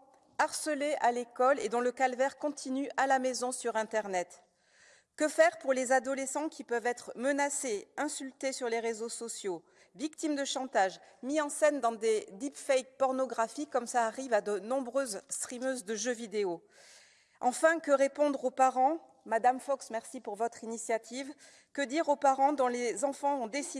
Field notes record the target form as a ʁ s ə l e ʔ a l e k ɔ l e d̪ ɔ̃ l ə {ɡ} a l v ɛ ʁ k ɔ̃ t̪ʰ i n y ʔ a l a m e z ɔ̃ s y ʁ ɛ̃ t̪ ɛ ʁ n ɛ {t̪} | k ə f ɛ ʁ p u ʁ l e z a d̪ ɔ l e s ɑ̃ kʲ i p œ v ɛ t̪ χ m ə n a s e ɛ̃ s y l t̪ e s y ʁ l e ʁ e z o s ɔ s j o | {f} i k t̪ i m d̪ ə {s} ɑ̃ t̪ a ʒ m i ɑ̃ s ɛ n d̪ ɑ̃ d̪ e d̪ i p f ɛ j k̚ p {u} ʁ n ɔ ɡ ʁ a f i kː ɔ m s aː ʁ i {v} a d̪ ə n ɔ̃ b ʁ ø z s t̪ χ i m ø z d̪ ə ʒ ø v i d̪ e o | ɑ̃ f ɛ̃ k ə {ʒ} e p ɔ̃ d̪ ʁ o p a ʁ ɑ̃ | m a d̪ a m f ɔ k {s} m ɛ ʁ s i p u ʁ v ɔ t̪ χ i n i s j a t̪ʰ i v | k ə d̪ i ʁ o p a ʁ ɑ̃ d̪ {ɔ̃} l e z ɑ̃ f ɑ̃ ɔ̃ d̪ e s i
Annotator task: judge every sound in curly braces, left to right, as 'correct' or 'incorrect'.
incorrect: k, correct, incorrect: v, incorrect: ʃ, incorrect: ɔ, correct, incorrect: ʁ, correct, correct

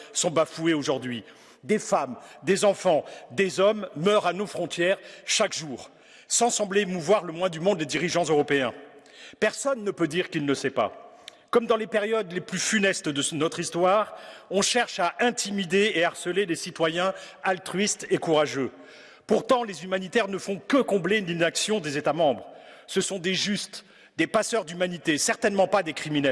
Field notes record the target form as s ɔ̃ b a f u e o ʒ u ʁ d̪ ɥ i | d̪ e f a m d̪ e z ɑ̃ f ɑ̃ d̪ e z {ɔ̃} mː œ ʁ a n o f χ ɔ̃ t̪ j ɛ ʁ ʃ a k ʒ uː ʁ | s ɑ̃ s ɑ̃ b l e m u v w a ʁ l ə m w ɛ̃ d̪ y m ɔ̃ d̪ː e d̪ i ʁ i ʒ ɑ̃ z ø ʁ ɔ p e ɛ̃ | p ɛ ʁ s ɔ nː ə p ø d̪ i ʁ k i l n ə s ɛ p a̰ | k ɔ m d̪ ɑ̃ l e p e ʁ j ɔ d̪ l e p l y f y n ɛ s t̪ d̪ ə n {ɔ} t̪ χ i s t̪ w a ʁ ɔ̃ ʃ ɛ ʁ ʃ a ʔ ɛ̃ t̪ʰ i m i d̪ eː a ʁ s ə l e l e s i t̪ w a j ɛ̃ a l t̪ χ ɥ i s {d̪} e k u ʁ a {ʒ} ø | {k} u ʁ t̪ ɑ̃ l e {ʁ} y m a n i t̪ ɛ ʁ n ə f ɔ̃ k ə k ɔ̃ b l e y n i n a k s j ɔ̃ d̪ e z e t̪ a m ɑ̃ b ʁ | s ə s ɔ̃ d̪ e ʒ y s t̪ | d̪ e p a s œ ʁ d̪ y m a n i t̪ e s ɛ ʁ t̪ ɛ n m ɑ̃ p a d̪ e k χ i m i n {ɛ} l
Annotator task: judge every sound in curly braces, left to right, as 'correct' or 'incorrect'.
incorrect: ɔ, correct, incorrect: t̪, correct, incorrect: p, incorrect: z, correct

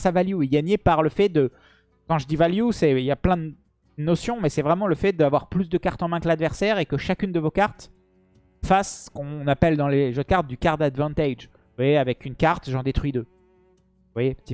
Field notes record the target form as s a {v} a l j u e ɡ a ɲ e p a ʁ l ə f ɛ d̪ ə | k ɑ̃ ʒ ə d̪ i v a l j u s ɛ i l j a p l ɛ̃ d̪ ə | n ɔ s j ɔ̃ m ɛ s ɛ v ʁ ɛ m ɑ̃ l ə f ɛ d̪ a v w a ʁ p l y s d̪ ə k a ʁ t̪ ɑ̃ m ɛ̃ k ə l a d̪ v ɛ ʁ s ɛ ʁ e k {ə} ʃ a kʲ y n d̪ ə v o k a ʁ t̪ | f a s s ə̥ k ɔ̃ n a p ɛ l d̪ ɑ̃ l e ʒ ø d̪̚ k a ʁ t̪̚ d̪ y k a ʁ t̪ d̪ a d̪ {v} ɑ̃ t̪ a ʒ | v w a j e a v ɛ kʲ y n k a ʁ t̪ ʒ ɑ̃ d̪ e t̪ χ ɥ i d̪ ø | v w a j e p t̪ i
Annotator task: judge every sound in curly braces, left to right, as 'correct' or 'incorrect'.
correct, correct, correct

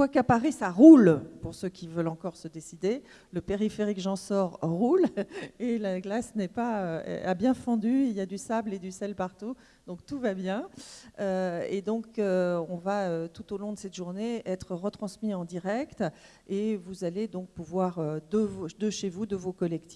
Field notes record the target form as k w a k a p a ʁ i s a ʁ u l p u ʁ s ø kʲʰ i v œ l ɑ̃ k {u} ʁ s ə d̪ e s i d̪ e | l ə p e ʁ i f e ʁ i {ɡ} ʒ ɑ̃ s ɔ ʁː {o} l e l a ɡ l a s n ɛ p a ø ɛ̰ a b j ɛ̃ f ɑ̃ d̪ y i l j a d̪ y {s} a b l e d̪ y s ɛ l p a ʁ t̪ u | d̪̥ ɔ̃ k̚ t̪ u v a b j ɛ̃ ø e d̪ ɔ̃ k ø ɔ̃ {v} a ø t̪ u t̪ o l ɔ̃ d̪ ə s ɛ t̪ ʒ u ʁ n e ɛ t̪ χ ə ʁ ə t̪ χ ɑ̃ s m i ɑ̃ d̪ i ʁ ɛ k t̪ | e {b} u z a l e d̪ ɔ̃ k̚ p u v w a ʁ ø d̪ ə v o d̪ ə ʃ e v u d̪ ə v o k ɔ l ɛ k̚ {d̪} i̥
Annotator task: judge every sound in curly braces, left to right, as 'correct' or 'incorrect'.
incorrect: ɔ, incorrect: k, incorrect: u, correct, correct, incorrect: v, incorrect: t̪

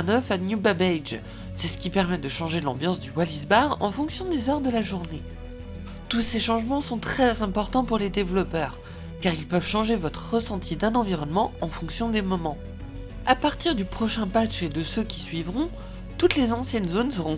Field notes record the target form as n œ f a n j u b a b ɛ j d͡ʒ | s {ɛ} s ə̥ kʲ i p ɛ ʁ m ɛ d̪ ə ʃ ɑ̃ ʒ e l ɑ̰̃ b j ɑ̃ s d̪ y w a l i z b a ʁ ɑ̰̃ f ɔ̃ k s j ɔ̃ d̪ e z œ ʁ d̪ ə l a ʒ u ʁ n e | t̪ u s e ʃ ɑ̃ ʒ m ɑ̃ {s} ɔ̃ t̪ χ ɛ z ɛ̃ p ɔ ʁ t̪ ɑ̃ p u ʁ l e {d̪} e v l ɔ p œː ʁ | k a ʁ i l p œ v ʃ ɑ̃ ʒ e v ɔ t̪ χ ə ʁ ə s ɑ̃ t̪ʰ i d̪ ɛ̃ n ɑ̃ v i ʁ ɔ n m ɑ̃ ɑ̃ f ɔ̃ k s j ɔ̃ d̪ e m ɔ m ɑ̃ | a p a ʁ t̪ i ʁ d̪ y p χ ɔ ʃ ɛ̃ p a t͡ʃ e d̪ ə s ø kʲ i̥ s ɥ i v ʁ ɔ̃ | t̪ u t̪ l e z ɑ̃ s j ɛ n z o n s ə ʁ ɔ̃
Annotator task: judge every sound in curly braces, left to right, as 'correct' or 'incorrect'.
correct, correct, correct

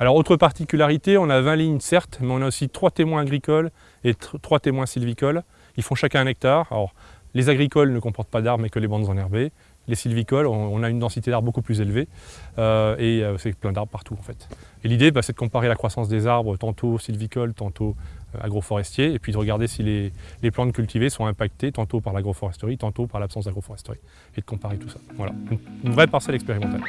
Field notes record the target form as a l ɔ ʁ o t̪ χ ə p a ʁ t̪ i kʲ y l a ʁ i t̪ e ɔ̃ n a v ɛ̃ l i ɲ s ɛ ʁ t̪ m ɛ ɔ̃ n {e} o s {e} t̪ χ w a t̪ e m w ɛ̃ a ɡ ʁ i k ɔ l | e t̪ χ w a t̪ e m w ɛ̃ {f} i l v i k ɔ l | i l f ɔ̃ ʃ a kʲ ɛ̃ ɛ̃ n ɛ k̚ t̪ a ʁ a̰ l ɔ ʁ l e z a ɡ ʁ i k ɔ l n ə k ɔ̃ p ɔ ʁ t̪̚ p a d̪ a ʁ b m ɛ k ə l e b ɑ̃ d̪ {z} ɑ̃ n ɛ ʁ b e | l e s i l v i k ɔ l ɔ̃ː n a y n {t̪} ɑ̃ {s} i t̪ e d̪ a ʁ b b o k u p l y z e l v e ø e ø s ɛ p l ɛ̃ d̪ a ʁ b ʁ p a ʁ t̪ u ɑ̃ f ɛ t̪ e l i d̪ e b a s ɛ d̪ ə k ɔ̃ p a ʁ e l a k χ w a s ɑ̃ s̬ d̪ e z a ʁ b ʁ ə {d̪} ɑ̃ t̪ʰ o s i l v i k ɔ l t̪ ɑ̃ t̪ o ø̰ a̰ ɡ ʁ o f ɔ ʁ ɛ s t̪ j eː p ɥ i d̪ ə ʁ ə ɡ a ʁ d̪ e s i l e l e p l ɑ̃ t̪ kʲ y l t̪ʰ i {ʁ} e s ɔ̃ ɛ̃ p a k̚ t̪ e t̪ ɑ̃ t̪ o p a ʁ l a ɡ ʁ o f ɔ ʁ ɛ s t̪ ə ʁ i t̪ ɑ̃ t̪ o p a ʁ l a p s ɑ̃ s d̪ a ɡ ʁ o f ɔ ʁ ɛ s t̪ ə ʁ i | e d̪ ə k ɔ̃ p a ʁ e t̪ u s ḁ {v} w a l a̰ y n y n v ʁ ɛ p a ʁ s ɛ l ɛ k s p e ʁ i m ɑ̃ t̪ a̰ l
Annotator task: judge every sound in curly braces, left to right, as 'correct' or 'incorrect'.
incorrect: a, incorrect: i, incorrect: s, correct, incorrect: d̪, correct, incorrect: t̪, incorrect: v, correct

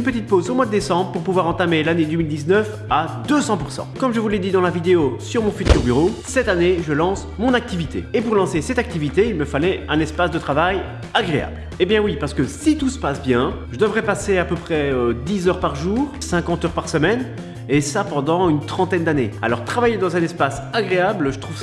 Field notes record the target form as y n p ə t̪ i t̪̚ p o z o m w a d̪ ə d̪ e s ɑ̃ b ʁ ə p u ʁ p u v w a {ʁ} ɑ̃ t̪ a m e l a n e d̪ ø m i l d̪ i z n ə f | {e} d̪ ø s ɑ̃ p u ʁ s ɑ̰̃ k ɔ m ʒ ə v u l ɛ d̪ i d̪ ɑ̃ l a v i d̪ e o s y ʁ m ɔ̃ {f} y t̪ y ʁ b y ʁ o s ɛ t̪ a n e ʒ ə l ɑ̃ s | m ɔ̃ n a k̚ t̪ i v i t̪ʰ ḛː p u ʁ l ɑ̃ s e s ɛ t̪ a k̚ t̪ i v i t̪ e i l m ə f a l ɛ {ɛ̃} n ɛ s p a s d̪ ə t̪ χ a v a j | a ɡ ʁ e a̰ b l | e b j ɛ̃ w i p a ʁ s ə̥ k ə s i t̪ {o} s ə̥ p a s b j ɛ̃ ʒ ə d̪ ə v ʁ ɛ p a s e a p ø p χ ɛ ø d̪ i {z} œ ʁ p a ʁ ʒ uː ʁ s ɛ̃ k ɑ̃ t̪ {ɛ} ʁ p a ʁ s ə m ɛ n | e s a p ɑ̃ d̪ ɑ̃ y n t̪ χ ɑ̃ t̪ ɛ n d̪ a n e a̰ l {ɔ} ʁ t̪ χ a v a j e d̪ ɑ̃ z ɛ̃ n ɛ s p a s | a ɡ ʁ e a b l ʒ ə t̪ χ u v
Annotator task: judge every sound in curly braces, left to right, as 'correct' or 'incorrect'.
correct, incorrect: a, correct, correct, incorrect: u, correct, incorrect: œ, correct

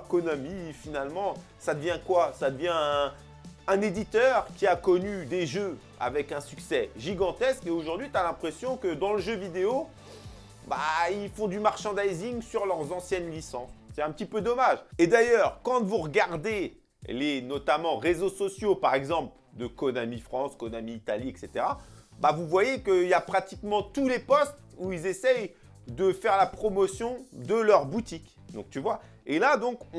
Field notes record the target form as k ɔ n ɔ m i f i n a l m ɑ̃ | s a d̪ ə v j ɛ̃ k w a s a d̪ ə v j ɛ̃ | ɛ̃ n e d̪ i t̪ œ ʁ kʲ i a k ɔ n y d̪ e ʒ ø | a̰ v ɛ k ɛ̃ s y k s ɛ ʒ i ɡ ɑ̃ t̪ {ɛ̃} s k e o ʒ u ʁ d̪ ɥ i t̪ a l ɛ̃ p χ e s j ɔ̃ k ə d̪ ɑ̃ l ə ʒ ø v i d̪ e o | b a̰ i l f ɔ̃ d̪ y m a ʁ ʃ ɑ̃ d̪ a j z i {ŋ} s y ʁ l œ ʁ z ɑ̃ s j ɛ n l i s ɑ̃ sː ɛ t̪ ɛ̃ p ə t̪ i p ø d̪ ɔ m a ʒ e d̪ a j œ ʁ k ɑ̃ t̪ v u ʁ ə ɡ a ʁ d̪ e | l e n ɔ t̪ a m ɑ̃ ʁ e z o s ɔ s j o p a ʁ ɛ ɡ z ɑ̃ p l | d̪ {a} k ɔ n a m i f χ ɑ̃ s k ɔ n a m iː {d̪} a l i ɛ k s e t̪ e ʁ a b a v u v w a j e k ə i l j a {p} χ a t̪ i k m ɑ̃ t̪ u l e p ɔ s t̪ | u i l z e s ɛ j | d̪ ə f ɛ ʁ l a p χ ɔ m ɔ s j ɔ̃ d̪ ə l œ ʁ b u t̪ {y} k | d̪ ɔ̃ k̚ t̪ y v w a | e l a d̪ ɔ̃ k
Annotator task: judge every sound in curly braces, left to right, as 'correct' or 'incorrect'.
incorrect: ɛ, correct, incorrect: ə, incorrect: t̪, correct, incorrect: i

